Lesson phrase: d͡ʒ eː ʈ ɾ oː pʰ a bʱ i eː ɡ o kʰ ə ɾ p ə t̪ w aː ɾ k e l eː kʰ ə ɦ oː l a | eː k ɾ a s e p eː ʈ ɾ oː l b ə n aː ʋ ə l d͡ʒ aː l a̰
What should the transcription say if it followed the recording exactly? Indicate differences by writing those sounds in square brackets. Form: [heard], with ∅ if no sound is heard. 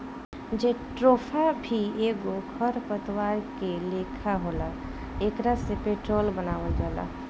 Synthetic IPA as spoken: d͡ʒ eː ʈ ɾ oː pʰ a bʱ i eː ɡ o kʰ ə ɾ p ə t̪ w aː ɾ k e l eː kʰ [a] ɦ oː l a | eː k ɾ a s e p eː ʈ ɾ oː l b ə n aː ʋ ə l d͡ʒ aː l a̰